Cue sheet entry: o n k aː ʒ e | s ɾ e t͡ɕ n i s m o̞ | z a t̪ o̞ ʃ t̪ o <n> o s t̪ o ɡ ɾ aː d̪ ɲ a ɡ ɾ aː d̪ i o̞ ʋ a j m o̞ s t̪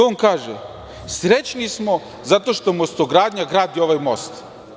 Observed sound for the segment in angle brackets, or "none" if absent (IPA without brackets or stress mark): m